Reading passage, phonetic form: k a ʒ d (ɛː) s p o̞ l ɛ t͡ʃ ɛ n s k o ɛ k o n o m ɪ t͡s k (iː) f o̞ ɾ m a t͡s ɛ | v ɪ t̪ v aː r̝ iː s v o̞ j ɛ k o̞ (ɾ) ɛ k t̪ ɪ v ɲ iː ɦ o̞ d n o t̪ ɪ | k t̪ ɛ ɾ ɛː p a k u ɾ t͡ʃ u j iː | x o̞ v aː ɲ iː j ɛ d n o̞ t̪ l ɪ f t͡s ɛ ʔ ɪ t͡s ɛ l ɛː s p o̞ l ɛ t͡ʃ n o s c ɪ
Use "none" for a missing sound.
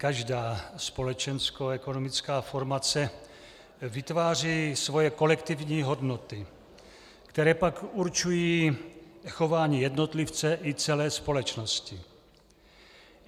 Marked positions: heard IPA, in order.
aː, aː, l

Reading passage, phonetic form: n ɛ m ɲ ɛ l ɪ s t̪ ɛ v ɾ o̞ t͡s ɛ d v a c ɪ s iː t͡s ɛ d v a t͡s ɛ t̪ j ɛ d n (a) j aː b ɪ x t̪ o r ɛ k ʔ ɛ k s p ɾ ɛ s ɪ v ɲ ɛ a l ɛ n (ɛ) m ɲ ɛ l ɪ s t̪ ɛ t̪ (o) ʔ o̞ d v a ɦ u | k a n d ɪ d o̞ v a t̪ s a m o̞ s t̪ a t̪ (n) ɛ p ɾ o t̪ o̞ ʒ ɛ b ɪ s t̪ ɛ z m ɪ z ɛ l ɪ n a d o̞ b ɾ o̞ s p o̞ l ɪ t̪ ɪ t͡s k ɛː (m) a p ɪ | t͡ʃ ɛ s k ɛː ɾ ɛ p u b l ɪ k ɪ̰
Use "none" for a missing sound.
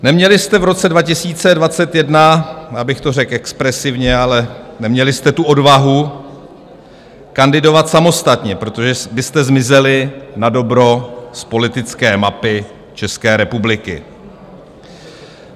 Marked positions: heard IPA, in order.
a, ɛ, u, ɲ, m

